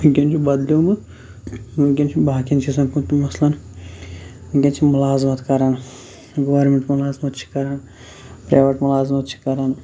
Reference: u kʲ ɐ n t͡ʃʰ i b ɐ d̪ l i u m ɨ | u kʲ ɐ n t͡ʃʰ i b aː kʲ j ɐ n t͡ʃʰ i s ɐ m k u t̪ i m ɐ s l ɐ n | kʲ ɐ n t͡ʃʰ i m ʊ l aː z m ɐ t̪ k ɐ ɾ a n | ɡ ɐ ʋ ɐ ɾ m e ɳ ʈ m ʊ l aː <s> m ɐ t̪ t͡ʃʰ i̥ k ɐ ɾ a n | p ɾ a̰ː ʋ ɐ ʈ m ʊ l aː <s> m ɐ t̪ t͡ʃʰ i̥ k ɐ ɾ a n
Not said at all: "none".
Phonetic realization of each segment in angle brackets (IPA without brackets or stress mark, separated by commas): z, z